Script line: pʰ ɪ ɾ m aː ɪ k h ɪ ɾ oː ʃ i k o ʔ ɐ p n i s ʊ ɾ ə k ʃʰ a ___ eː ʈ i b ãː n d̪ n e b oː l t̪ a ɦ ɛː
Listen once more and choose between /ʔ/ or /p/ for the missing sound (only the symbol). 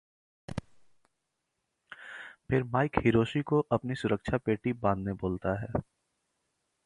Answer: p